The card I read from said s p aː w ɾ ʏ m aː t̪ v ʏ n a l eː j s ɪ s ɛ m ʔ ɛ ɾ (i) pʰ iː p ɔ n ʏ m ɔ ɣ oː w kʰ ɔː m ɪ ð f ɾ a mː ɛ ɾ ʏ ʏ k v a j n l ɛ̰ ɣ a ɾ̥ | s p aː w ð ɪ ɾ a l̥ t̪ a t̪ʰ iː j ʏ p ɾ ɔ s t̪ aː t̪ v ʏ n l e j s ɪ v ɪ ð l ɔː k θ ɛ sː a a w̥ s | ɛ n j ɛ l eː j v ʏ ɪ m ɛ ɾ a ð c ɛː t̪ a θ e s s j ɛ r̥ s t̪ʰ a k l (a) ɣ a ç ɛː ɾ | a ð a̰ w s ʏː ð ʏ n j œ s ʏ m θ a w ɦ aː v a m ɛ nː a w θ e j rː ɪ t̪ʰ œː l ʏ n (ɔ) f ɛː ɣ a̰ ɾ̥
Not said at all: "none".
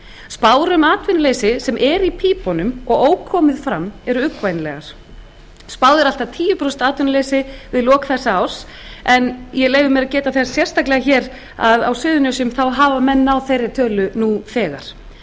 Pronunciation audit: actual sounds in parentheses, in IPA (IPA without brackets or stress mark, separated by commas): i, ɛ, u